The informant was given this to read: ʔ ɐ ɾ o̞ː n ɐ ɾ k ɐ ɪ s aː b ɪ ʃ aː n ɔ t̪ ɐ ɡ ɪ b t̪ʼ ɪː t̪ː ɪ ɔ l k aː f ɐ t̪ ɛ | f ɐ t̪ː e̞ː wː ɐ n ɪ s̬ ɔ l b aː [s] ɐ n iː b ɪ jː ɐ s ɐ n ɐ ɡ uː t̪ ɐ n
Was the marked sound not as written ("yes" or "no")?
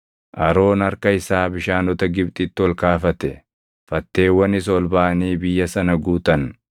yes